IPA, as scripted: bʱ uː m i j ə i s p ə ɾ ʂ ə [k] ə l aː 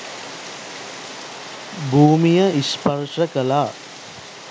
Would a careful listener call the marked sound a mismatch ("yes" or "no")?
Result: no